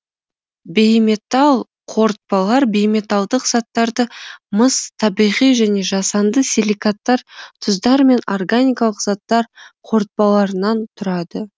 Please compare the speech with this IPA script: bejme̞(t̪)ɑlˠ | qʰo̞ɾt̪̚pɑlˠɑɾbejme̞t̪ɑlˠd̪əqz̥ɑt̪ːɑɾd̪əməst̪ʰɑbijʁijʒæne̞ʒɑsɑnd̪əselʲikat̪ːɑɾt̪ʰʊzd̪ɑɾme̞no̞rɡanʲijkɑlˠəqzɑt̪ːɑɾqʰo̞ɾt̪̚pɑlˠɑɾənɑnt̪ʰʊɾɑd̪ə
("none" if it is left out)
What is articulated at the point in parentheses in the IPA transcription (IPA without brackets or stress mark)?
t̪